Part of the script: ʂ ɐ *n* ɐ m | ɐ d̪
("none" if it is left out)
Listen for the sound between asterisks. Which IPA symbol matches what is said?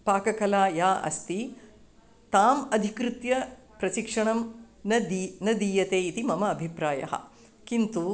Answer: ɳ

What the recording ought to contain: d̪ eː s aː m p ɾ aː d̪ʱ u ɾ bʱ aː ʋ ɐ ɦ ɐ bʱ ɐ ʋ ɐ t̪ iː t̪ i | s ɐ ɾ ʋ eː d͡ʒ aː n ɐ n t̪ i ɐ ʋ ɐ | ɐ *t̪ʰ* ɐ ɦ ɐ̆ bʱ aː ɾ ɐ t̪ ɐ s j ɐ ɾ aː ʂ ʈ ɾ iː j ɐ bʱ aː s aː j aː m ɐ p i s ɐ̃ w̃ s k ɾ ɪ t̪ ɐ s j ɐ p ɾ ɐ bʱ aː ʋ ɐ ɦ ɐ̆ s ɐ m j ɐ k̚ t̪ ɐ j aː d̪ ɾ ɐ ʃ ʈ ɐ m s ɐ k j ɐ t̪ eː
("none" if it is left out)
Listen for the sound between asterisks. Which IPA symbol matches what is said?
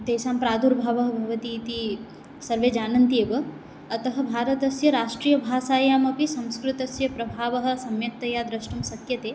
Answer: t̪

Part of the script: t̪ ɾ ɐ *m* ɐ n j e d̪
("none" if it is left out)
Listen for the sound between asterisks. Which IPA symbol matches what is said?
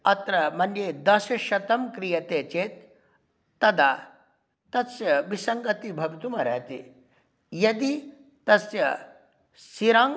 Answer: m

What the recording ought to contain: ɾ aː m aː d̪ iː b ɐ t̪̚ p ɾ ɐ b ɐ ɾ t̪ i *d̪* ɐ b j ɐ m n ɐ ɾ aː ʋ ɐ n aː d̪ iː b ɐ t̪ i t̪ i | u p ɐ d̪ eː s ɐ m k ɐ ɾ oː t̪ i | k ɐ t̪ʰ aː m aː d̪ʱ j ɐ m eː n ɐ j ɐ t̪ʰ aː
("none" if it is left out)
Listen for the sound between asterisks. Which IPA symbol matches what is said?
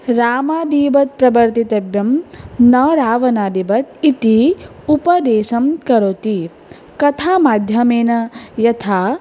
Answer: t̪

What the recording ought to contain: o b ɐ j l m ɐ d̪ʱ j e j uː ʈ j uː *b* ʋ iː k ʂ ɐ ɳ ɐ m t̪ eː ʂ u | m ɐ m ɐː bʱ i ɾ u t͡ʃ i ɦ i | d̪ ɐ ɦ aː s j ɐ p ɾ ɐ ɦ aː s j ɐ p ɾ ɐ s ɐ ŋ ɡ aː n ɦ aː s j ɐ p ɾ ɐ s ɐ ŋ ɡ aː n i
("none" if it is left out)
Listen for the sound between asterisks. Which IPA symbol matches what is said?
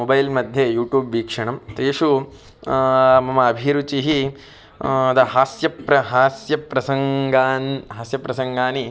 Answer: b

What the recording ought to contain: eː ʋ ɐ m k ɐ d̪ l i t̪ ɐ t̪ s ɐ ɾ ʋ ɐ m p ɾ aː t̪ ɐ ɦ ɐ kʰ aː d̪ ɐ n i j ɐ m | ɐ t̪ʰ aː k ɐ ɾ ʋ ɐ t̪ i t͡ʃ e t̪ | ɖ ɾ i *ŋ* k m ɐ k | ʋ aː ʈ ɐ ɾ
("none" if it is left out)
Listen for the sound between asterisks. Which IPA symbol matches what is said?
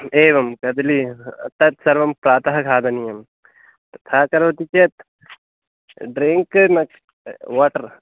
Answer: ŋ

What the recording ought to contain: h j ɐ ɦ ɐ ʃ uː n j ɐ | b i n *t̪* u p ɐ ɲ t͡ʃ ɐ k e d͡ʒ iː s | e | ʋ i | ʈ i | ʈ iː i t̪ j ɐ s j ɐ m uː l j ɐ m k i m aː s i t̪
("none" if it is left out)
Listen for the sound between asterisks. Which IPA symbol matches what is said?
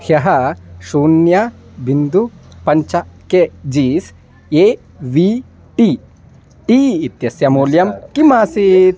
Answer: d̪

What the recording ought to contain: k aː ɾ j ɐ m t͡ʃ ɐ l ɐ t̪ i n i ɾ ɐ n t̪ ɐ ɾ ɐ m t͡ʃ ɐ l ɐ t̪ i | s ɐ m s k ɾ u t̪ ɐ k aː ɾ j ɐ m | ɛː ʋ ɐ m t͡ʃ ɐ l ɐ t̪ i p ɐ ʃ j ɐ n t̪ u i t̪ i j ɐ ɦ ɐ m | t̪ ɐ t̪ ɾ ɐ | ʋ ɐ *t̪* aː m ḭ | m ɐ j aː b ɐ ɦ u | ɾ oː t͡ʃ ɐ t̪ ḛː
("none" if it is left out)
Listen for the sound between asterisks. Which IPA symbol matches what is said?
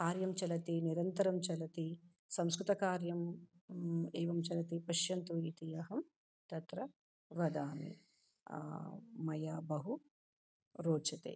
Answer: d̪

